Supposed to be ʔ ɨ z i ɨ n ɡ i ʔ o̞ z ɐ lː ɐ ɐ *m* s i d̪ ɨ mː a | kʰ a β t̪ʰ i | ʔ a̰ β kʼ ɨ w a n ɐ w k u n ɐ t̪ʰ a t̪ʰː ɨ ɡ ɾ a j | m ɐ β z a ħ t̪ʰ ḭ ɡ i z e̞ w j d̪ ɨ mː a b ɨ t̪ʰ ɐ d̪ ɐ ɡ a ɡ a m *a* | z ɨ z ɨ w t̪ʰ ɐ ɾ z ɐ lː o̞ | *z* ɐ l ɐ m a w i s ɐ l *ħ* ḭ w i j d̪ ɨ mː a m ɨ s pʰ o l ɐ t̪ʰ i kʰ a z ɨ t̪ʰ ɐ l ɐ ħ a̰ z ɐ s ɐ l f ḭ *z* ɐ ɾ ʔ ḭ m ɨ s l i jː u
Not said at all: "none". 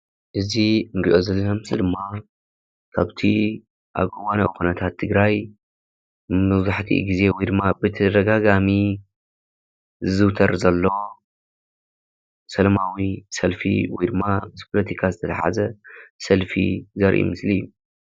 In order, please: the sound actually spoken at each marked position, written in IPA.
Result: m, i, s, f, z

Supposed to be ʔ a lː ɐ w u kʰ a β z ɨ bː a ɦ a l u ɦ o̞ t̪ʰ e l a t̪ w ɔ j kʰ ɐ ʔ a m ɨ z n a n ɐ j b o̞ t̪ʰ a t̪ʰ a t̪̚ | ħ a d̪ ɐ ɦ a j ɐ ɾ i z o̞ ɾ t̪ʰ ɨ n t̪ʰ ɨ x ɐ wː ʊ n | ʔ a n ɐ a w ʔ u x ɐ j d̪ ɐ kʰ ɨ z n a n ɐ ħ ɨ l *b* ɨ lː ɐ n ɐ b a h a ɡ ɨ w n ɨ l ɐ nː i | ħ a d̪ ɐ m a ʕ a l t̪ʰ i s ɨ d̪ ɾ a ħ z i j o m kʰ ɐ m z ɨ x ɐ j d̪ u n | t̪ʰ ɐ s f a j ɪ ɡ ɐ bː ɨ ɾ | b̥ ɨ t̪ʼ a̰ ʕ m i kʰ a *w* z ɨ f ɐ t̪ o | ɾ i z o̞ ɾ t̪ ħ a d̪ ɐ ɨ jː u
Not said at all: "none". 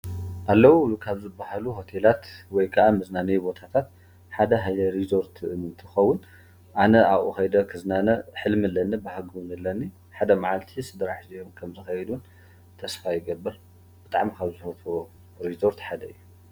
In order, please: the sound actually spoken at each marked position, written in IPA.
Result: m, β

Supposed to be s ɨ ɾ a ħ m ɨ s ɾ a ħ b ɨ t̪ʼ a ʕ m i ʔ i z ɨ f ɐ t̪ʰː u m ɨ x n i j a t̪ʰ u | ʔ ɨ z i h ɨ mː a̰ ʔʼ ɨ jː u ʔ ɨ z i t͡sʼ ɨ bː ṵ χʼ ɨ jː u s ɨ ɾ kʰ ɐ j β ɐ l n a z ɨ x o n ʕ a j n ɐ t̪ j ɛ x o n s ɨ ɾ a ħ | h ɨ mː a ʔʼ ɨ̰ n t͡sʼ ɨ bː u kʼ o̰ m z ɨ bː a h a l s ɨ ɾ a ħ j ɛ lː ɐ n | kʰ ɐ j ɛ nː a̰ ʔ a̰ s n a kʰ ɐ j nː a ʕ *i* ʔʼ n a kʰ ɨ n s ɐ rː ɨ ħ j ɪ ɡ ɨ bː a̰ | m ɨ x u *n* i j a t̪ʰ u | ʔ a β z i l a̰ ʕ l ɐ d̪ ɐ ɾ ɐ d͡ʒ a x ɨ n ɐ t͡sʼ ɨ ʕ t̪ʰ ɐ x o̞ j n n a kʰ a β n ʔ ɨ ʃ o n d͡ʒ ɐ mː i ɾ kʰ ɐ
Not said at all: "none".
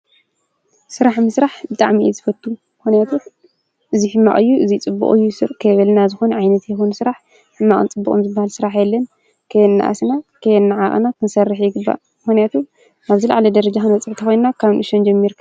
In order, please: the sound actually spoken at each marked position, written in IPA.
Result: a, n

